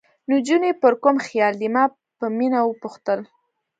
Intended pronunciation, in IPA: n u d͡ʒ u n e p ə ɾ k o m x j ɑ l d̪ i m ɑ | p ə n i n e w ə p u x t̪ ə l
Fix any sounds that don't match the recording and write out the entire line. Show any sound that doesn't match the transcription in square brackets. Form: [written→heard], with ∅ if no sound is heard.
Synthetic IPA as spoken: n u d͡ʒ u n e p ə ɾ k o m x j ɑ l d̪ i m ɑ | p ə [n→m] i n [e→a] w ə p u x t̪ ə l

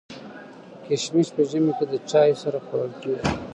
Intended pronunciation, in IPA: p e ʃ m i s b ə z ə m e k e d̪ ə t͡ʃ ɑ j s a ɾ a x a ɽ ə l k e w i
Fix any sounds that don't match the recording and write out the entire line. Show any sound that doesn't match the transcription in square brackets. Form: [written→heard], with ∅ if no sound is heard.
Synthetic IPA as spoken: [p→k] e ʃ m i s [b→p] ə [z→ʒ] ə m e k e d̪ ə t͡ʃ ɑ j s a ɾ a x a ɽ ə l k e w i

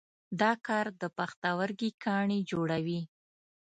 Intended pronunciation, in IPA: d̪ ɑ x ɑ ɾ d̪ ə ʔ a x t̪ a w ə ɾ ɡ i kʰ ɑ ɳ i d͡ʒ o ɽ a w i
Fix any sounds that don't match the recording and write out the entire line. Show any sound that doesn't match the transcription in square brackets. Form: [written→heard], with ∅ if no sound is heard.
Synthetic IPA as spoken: d̪ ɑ [x→k] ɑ ɾ d̪ ə [ʔ→p] a x t̪ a w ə ɾ ɡ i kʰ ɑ ɳ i d͡ʒ o ɽ a w i

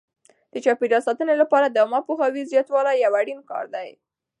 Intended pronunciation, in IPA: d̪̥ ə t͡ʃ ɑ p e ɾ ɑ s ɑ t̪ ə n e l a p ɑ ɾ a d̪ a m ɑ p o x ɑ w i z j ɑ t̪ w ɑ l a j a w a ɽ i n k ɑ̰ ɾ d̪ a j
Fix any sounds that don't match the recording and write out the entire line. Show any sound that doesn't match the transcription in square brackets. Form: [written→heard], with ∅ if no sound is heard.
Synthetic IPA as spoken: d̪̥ ə t͡ʃ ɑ p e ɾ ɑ s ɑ t̪ ə n e l a p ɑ ɾ a d̪ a m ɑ p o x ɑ w i z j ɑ t̪ w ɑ l a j a w a ɽ i n k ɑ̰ ɾ d̪ a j

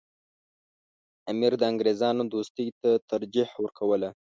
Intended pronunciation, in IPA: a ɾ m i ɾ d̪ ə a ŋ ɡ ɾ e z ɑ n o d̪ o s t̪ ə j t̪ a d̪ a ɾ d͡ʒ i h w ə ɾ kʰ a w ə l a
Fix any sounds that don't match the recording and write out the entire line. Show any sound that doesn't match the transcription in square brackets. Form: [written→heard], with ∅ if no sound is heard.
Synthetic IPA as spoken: a [ɾ→∅] m i ɾ d̪ ə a ŋ ɡ ɾ e z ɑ n o d̪ o s t̪ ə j t̪ a [d̪→t̪] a ɾ d͡ʒ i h w ə ɾ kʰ a w ə l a

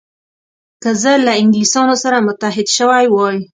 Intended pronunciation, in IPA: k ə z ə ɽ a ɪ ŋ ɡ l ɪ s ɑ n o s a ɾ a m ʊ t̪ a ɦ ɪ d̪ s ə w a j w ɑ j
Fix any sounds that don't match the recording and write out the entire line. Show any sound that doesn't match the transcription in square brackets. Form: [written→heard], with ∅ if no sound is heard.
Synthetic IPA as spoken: k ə z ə [ɽ→l] a ɪ ŋ ɡ l [ɪ→i] s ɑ n o s a ɾ a m ʊ t̪ a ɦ ɪ d̪ [s→ʃ] ə w a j w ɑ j

